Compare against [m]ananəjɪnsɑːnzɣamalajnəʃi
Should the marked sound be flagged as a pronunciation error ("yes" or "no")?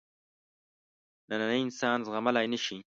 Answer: yes